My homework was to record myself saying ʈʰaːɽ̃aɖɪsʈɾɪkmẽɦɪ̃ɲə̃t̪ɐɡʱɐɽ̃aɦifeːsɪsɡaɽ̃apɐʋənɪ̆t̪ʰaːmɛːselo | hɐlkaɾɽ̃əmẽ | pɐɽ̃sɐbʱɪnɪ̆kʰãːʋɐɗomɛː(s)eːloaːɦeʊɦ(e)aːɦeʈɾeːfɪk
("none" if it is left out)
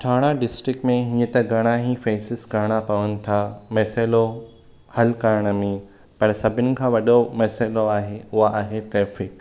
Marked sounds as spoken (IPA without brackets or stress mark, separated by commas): s, a